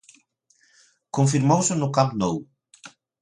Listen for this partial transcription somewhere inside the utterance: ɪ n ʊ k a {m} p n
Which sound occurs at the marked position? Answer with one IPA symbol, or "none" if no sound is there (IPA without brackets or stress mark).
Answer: m